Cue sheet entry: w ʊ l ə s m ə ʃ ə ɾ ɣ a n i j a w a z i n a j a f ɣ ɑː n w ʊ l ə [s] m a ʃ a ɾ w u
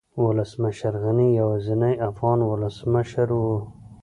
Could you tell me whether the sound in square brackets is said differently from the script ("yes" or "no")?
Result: no